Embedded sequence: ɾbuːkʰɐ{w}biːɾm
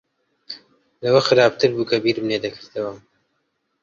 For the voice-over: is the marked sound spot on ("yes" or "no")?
no